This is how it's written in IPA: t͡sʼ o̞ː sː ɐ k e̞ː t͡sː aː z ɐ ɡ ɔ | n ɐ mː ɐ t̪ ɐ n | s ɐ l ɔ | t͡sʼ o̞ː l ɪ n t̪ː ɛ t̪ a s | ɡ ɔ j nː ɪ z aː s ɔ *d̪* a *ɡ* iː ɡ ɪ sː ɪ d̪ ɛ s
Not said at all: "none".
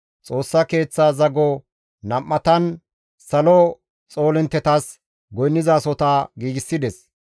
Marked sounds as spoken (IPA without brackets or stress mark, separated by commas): t̪, ɡ